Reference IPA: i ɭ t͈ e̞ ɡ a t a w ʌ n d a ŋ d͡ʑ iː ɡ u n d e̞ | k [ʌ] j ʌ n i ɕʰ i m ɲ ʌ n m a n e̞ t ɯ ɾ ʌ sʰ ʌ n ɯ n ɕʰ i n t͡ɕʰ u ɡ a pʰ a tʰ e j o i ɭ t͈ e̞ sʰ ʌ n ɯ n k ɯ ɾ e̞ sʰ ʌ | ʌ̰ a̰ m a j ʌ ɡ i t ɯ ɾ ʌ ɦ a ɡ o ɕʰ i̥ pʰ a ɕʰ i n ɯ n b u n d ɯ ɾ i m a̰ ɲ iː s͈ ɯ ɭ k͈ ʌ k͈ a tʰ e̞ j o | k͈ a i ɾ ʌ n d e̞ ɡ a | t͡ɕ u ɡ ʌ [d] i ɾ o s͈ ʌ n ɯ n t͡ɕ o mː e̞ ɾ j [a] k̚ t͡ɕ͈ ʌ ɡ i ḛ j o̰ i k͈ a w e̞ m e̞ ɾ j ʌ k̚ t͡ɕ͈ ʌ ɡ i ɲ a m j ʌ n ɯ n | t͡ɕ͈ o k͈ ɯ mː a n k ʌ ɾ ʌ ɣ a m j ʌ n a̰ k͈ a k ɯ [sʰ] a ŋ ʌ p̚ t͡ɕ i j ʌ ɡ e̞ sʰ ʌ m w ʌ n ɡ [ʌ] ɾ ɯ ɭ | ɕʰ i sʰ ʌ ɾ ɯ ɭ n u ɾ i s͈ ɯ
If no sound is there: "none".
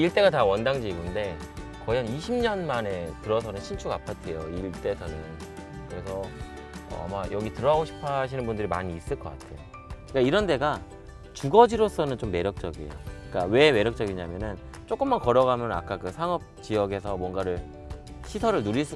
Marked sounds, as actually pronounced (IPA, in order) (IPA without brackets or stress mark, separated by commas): ʌ, d͡ʑ, ʌ, sʰ, a